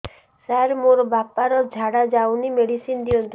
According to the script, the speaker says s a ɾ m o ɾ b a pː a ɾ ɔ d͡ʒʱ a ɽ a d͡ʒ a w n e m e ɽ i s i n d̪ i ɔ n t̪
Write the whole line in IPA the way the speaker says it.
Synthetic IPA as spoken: s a ɾ m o ɾ b a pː a ɾ ɔ d͡ʒʱ a ɽ a d͡ʒ a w n i m e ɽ i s i n d̪ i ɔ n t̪